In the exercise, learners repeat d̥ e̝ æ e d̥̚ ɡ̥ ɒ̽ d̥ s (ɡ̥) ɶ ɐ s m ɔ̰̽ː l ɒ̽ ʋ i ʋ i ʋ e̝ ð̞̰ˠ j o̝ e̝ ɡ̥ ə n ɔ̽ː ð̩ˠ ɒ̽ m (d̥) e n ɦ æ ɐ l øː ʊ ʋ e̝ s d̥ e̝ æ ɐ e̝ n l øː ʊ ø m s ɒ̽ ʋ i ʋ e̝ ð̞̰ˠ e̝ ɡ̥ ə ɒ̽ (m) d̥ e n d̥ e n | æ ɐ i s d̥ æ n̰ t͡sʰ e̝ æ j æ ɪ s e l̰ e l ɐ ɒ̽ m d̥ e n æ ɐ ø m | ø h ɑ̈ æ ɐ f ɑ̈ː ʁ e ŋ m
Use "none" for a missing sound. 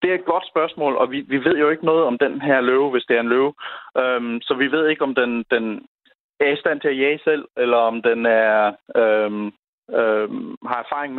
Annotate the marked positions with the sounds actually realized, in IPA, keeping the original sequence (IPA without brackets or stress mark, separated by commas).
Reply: b̥, d̥, m